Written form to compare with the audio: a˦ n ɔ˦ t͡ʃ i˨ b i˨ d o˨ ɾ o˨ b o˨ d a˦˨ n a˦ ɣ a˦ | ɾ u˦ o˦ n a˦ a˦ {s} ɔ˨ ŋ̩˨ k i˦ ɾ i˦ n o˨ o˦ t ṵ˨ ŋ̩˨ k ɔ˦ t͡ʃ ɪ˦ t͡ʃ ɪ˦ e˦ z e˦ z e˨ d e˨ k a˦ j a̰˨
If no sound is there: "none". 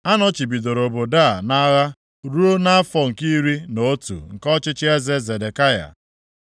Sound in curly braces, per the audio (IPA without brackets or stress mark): f